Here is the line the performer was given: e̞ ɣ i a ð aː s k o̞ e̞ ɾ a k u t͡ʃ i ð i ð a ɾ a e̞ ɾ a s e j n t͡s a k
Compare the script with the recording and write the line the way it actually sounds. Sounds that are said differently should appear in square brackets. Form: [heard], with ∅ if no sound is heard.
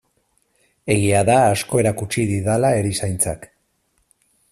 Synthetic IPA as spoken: e̞ ɣ i a ð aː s k o̞ e̞ ɾ a k u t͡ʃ i ð i ð a [l] a e̞ ɾ [i] s [a] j n t͡s a k